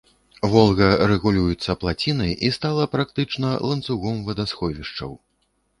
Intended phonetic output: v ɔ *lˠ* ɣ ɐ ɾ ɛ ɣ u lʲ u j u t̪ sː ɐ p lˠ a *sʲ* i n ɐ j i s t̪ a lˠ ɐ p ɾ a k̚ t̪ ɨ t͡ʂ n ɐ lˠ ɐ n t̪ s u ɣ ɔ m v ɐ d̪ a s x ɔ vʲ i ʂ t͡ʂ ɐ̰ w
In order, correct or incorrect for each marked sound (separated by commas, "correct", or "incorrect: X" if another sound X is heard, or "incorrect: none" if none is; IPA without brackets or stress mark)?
correct, incorrect: t͡sʲ